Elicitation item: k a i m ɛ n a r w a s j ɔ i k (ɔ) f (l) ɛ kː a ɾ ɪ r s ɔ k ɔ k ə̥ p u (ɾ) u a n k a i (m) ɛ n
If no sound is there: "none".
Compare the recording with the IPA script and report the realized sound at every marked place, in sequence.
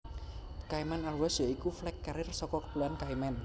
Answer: u, l, l, m

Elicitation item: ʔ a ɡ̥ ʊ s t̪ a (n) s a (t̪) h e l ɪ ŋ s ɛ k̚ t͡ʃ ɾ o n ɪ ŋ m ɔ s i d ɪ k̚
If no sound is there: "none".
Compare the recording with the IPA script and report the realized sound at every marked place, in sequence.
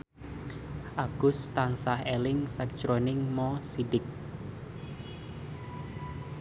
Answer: ŋ, none

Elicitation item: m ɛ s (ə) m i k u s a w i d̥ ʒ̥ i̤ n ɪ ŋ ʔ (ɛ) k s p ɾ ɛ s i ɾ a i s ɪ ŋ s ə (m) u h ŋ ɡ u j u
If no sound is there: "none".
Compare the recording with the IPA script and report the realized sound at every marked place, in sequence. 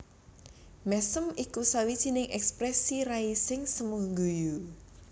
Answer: ə, ɛ, m

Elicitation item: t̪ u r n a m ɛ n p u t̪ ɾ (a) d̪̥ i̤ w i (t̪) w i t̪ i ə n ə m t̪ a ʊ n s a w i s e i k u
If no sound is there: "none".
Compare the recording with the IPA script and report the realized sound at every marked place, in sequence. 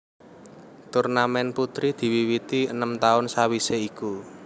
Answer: i, none

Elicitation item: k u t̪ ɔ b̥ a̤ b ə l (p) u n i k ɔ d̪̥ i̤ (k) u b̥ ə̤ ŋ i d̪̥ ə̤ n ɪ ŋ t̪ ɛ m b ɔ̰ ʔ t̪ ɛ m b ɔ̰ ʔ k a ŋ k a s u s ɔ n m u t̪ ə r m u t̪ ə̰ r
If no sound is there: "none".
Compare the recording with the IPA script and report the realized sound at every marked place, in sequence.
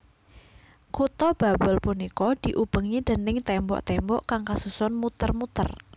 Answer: p, ʔ

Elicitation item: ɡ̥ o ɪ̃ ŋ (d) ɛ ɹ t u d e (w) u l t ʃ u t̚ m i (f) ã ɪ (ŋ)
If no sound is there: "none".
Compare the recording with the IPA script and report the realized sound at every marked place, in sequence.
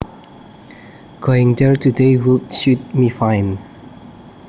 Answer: d, w, f, n

